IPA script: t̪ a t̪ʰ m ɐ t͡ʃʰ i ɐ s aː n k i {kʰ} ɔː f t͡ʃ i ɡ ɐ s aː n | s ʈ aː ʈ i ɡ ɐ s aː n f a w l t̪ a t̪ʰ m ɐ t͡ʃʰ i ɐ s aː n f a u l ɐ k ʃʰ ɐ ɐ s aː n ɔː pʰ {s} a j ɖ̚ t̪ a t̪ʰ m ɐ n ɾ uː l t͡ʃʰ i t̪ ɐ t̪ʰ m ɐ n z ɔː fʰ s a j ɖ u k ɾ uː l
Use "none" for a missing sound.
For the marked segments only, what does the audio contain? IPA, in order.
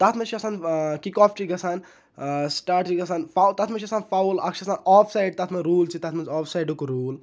k, s

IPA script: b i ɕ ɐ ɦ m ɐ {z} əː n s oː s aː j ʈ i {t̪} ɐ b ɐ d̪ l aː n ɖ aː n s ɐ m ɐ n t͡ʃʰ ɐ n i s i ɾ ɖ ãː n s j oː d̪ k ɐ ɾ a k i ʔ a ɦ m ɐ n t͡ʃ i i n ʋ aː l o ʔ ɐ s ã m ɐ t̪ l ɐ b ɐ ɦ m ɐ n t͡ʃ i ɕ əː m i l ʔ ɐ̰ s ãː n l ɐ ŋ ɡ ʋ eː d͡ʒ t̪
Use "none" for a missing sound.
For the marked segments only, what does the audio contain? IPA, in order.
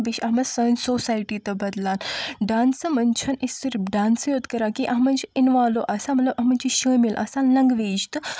s, t̪

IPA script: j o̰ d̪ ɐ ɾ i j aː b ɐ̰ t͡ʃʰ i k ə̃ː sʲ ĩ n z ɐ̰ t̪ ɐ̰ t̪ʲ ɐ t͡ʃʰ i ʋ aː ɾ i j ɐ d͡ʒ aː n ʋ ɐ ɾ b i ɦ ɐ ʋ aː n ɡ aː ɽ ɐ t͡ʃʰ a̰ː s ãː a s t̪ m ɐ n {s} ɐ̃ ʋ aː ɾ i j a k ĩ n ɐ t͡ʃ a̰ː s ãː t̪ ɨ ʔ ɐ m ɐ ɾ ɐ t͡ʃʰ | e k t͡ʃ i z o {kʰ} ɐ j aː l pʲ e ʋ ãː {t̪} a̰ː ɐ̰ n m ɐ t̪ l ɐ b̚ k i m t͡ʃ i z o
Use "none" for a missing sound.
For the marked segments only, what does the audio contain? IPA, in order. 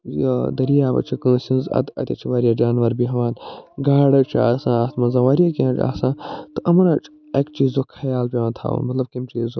z, kʰ, t̪ʰ

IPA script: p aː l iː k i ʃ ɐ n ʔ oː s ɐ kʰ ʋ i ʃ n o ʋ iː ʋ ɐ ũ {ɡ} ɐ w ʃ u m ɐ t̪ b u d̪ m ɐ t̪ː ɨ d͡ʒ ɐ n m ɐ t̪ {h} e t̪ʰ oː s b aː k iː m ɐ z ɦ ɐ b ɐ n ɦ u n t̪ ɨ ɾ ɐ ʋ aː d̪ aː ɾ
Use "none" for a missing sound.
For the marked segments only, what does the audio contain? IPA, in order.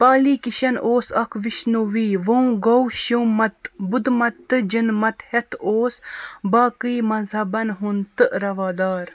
ɡ, h

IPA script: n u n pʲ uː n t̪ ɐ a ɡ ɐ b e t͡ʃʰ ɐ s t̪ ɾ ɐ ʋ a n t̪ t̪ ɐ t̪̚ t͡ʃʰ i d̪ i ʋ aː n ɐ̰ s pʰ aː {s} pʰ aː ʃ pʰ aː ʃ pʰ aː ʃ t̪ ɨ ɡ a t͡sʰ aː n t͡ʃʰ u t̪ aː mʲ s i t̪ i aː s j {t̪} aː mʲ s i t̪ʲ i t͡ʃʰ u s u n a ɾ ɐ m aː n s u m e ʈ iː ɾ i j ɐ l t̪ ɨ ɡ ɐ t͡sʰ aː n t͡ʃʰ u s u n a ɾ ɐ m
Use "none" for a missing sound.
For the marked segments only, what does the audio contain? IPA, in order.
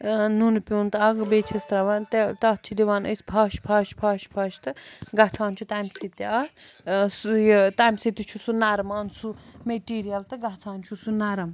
ʃ, t̪

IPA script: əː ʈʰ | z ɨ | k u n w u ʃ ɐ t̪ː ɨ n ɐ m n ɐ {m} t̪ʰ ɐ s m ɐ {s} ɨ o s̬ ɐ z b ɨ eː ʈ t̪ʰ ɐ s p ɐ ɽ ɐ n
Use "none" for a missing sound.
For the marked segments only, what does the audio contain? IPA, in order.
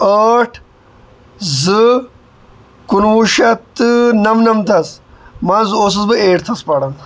m, z

